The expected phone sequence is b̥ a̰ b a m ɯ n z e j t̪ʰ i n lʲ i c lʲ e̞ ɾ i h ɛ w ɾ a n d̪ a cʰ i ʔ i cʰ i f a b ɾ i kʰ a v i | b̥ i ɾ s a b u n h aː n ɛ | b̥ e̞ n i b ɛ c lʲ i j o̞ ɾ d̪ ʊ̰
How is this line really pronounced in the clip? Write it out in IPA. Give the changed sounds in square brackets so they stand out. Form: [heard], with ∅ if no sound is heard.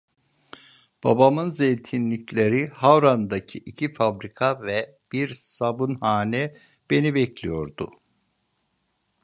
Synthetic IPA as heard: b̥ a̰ b a m ɯ n z e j t̪ʰ i n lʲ i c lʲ e̞ ɾ i h [a] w ɾ a n d̪ a cʰ i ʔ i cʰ i f a b ɾ i kʰ a v [ɛ] | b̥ i ɾ s a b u n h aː n ɛ | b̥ e̞ n i b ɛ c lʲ i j o̞ ɾ d̪ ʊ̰

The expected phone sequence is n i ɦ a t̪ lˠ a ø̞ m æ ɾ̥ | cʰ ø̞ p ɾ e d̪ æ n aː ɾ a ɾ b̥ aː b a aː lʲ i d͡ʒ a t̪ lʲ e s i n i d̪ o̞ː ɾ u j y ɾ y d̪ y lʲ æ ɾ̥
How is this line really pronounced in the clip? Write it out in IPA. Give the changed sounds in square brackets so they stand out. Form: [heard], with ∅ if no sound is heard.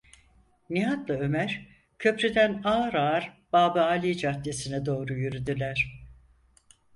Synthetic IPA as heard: n i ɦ a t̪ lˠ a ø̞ m æ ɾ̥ | cʰ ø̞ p ɾ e d̪ æ n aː ɾ a ɾ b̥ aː b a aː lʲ i d͡ʒ a t̪ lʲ e s i n [ɛ] d̪ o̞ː ɾ u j y ɾ y d̪ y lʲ æ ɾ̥

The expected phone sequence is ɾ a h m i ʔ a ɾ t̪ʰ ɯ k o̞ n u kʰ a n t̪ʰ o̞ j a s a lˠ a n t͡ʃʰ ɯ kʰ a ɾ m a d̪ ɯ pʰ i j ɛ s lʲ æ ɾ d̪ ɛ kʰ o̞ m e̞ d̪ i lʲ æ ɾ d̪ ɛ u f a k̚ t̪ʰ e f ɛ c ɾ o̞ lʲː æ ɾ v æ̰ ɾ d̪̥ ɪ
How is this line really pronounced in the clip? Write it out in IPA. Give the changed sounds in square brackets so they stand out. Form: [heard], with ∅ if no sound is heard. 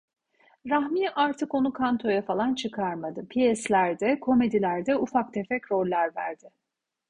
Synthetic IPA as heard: ɾ a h m i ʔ a ɾ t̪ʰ ɯ k o̞ n u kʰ a n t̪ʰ o̞ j a [f] a lˠ a n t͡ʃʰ ɯ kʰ a ɾ m a d̪ ɯ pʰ i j ɛ s lʲ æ ɾ d̪ ɛ kʰ o̞ m e̞ d̪ i lʲ æ ɾ d̪ ɛ u f a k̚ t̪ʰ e f ɛ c ɾ o̞ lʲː æ ɾ v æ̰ ɾ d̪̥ ɪ

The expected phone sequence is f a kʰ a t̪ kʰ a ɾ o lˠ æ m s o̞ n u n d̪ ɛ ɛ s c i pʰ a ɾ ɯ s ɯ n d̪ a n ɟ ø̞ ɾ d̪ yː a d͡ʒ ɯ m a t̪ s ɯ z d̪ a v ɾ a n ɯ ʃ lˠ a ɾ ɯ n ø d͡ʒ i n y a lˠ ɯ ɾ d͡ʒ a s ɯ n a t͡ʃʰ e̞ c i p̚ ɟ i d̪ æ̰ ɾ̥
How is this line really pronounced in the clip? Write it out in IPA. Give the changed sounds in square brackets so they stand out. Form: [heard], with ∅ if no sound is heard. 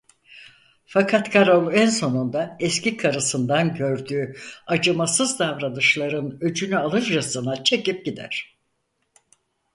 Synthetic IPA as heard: f a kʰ a t̪ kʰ a ɾ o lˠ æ [n] s o̞ n u n d̪ [a] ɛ s c i [kʰ] a ɾ ɯ s ɯ n d̪ a n ɟ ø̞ ɾ d̪ yː a d͡ʒ ɯ m a [∅] s ɯ z d̪ a v ɾ a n ɯ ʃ lˠ a ɾ ɯ n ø d͡ʒ [y] n y a lˠ ɯ ɾ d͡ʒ a s ɯ n a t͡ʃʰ e̞ c i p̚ ɟ i d̪ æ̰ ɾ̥

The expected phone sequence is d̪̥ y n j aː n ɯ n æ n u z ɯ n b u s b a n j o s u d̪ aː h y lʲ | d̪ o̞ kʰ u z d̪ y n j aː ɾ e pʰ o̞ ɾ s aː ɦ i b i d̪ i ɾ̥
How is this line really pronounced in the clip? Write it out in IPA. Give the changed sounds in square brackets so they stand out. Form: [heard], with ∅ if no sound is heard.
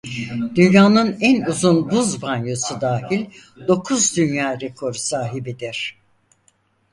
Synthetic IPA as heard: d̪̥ y n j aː n ɯ n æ n u z [u] n b u [z] b a n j o s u d̪ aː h [i] lʲ | d̪ o̞ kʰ u z d̪ y n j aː ɾ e [kʰ] o̞ ɾ s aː ɦ i b i d̪ i ɾ̥

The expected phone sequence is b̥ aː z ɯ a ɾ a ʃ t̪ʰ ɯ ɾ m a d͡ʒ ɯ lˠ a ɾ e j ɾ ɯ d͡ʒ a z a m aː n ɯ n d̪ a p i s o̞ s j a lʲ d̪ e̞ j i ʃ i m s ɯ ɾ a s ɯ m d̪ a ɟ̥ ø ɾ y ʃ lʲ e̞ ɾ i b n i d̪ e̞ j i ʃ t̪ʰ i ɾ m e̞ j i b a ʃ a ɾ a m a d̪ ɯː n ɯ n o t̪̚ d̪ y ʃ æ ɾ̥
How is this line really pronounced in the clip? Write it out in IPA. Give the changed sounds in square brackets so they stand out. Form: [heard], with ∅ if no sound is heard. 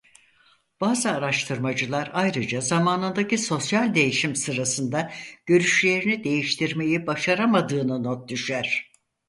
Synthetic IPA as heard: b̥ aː z ɯ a ɾ a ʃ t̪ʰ ɯ ɾ m a d͡ʒ ɯ lˠ a ɾ [a] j ɾ ɯ d͡ʒ a z a m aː n ɯ n d̪ a [c] i s o̞ s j a lʲ d̪ e̞ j i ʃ i m s ɯ ɾ a s ɯ [n] d̪ a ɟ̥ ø ɾ y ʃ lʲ e̞ ɾ i [∅] n i d̪ e̞ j i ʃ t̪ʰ i ɾ m e̞ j i b a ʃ a ɾ a m a d̪ ɯː n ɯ n o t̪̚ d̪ y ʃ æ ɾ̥

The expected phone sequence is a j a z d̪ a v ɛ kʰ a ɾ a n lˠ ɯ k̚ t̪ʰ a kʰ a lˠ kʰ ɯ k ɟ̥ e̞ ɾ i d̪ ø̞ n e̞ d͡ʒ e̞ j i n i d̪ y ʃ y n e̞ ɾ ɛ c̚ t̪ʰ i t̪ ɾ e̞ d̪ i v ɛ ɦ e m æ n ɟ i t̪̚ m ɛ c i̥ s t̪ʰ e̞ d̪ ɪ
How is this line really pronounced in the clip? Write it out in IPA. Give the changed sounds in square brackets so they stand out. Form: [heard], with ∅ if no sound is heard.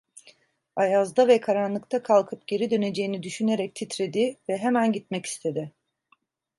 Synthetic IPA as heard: a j a z d̪ a v ɛ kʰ a ɾ a n lˠ ɯ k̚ t̪ʰ a kʰ a lˠ kʰ ɯ [p] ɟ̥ e̞ ɾ i d̪ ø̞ n e̞ d͡ʒ e̞ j i n i d̪ y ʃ y n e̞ ɾ ɛ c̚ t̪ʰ i t̪ ɾ e̞ d̪ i v ɛ ɦ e m æ n ɟ i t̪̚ m ɛ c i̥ s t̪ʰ e̞ d̪ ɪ

